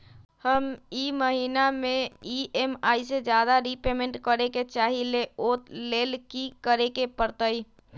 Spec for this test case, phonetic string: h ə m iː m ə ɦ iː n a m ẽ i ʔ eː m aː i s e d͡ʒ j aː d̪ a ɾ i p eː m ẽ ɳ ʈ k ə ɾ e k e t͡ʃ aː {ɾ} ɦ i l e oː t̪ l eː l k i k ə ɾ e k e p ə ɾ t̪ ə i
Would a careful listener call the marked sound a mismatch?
yes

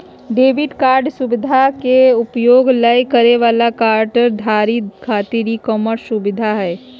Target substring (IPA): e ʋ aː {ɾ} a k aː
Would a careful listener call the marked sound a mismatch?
yes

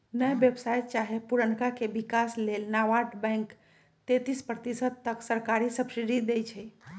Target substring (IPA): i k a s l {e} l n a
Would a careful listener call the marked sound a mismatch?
no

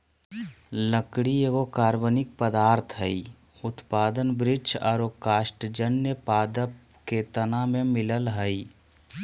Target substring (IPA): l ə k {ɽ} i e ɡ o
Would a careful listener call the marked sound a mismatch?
no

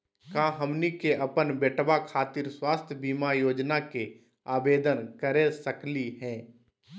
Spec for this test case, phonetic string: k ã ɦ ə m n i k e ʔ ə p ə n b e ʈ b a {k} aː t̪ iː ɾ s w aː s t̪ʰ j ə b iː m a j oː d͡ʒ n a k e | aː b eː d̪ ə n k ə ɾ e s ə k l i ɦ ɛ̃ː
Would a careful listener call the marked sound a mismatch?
yes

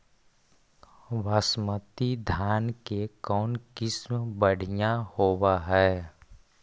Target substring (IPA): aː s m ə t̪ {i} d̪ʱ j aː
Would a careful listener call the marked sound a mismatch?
no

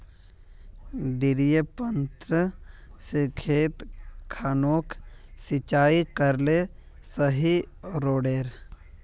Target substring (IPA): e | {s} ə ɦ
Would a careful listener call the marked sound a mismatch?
no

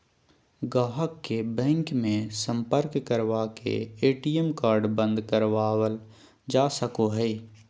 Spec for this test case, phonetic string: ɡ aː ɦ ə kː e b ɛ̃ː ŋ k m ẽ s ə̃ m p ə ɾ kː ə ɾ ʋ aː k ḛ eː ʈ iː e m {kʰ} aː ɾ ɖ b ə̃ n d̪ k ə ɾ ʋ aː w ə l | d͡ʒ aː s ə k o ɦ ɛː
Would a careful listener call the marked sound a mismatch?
yes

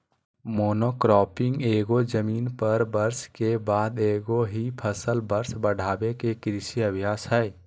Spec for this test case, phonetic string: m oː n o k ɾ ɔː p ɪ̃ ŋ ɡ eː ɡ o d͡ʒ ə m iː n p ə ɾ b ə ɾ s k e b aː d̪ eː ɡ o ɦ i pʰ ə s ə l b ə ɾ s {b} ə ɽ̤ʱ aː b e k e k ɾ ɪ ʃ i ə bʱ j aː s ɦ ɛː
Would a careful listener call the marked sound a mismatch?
no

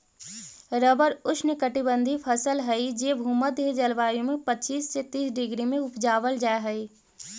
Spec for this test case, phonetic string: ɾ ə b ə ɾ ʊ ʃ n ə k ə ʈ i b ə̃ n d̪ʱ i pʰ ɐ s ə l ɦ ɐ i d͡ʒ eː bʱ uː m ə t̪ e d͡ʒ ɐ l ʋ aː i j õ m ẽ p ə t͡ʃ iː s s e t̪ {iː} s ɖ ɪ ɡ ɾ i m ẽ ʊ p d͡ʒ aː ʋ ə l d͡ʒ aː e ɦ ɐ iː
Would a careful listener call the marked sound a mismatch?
no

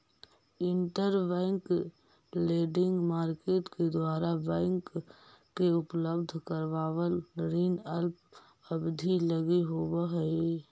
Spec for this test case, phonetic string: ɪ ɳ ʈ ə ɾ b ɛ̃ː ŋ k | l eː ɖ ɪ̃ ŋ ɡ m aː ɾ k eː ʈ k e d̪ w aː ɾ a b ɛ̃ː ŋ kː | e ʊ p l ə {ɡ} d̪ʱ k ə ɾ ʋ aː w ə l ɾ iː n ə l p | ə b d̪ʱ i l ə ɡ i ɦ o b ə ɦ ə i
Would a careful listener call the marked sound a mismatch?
yes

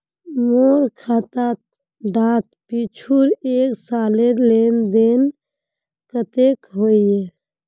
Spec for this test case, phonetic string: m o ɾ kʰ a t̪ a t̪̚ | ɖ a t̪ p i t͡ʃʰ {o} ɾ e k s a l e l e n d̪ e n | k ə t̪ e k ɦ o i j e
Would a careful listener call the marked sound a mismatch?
yes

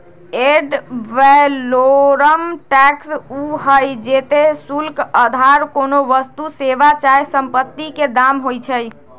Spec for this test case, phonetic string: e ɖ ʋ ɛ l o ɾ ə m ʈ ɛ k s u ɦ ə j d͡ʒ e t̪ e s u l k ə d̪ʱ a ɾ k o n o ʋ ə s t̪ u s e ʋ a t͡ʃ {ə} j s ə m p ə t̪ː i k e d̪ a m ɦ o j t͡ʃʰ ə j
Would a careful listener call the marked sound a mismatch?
yes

